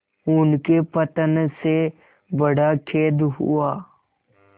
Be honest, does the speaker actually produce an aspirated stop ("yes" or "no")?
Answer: yes